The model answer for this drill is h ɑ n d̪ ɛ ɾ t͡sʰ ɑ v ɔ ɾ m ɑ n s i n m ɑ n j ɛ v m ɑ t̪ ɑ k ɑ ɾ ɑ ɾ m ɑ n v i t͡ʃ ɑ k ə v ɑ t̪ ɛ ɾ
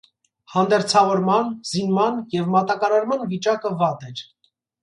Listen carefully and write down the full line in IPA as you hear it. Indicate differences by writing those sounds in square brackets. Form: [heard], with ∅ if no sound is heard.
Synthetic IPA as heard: h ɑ n d̪ ɛ ɾ t͡sʰ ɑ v ɔ ɾ m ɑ n [z] i n m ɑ n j ɛ v m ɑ t̪ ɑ k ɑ ɾ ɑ ɾ m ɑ n v i t͡ʃ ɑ k ə v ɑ t̪ ɛ ɾ